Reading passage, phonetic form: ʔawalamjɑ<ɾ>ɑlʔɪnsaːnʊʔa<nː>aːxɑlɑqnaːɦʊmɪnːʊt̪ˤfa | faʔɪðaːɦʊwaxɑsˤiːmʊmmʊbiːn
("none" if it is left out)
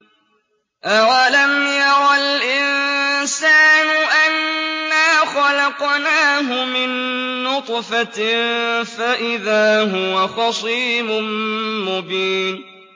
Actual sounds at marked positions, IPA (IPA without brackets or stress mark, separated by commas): ɾ, nː